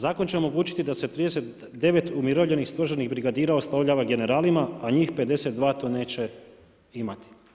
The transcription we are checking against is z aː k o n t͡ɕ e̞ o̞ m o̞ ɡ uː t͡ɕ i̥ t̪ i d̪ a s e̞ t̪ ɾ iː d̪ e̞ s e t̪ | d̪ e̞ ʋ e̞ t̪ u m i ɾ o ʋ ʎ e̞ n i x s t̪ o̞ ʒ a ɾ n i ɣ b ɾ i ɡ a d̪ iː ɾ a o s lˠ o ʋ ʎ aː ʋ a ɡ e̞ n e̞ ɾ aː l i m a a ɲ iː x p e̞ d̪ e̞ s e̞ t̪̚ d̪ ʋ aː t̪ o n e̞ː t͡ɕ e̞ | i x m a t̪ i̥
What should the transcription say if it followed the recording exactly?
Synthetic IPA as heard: z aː k o n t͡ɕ e̞ o̞ m o̞ ɡ uː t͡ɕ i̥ t̪ i d̪ a s e̞ t̪ ɾ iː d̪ e̞ s e t̪ | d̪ e̞ ʋ e̞ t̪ u m i ɾ o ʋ ʎ e̞ n i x s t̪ o̞ ʒ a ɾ n i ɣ b ɾ i ɡ a d̪ iː ɾ a o s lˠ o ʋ ʎ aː ʋ a ɡ e̞ n e̞ ɾ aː l i m a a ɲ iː x p e̞ d̪ e̞ s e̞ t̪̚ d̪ ʋ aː t̪ o n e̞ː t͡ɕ e̞ | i m a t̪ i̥